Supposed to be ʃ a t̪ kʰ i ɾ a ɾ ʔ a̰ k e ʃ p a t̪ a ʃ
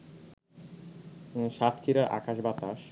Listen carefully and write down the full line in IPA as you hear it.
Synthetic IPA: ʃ a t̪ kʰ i ɾ a ɾ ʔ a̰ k a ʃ b a t̪ a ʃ

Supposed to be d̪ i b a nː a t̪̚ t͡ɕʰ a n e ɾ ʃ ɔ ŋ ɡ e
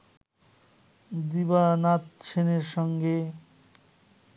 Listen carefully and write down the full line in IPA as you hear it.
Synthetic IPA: d̪ i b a n a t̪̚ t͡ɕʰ e n e ɾ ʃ ɔ ŋ ɡ e

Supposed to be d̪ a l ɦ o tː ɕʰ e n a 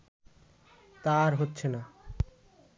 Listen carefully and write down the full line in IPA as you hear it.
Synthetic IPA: t̪ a ɾ ɦ o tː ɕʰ e n a

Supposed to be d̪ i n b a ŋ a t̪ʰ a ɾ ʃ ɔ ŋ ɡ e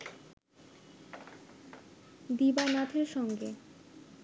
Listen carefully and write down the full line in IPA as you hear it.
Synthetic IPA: d̪ i b a n a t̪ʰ e ɾ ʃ ɔ ŋ ɡ e

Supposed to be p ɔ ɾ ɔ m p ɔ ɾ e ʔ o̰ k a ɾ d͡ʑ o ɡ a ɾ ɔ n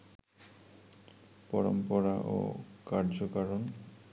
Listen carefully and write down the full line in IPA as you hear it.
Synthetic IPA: p ɔ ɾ ɔ m p ɔ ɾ a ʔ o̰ k a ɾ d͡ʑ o k a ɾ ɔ n

